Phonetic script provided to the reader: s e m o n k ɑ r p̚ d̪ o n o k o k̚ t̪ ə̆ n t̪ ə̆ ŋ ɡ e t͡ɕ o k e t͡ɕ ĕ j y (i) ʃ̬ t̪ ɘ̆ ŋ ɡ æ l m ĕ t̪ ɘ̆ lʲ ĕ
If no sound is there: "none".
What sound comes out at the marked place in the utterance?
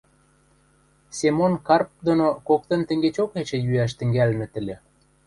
æ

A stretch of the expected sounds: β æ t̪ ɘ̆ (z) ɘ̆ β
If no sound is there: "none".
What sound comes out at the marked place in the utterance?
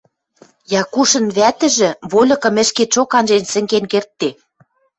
ʒ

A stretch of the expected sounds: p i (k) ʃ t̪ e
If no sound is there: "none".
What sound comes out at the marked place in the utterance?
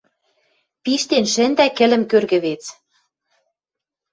none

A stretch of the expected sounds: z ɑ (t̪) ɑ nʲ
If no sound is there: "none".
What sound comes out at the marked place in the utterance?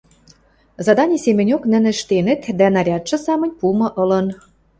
d̪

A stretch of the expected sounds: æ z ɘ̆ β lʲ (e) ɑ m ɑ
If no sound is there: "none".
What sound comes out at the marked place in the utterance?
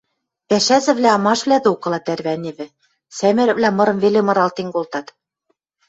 æ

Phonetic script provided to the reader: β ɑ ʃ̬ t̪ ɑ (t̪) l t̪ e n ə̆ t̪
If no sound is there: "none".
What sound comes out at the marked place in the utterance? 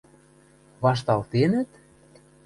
none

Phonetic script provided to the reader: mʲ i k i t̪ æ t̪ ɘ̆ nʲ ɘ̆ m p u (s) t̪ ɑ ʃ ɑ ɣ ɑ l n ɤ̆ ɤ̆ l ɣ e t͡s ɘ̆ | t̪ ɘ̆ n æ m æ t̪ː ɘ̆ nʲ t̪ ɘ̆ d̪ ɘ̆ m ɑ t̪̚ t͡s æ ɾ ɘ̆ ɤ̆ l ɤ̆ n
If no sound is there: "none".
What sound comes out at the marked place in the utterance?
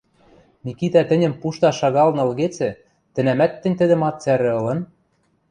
ʃ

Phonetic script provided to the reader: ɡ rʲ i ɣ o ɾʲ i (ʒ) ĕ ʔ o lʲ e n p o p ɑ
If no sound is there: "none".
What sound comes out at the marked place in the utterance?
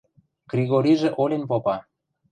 ʒ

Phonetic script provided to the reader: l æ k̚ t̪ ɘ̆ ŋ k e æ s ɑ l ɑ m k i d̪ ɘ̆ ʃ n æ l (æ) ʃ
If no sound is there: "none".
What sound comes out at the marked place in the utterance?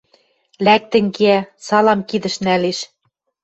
e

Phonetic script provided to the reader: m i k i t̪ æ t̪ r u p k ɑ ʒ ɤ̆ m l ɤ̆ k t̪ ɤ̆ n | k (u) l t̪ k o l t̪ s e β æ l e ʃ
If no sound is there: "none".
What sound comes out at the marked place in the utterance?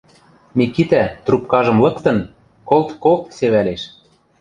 o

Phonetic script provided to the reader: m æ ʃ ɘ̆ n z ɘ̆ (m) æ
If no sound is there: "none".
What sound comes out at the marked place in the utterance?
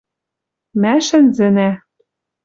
n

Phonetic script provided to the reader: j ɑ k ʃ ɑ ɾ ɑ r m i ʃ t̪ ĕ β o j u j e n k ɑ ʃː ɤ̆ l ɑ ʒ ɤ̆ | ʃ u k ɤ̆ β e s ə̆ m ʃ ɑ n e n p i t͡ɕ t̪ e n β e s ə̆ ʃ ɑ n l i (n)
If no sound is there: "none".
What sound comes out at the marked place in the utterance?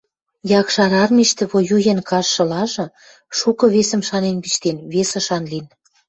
n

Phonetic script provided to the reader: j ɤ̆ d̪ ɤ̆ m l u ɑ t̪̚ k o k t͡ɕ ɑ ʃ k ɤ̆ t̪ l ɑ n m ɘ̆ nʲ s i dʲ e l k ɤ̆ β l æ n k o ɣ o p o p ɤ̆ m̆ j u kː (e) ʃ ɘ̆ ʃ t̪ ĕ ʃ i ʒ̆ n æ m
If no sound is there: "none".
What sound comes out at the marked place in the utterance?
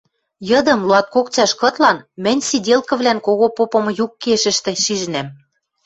e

